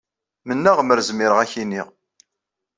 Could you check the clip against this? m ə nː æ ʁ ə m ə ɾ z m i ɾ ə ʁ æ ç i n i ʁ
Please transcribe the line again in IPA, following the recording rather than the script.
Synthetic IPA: m ə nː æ ʁ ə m ə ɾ z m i ɾ ə ʁ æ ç i n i ʁ